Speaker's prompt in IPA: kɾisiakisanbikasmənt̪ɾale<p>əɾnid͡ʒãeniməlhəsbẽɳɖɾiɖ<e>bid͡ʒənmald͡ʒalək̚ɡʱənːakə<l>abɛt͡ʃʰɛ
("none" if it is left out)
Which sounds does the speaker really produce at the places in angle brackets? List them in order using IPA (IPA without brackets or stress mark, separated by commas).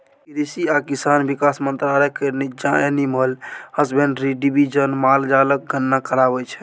k, i, ɾ